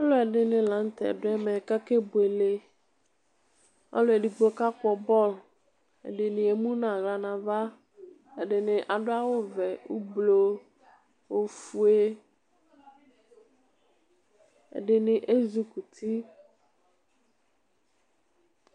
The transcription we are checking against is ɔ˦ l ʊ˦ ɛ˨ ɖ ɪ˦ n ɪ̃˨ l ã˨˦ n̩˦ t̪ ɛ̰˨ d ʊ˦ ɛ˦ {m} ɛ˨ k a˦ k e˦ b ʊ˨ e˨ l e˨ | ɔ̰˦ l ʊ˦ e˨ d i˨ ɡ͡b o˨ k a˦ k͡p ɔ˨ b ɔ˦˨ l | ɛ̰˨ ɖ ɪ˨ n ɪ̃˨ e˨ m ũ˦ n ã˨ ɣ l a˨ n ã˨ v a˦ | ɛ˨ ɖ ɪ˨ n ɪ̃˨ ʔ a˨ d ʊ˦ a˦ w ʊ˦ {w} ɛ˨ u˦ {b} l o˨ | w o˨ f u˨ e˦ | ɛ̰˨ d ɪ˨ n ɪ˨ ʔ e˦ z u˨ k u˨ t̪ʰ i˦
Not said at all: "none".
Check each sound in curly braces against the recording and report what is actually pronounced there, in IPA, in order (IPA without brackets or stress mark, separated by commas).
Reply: m, v, b